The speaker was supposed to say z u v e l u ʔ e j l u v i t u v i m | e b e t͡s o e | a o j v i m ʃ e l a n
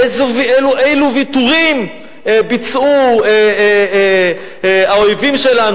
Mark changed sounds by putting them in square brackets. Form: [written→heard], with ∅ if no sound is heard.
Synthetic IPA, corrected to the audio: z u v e l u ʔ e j l u v i t u [v→ʁ] i m | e b [e→i] t͡s [o→u] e | a o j v i m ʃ e l a n